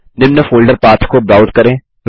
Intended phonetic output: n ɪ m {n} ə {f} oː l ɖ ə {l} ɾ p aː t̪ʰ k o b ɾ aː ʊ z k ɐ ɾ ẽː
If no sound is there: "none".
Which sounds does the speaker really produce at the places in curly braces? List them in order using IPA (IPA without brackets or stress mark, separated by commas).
n, f, none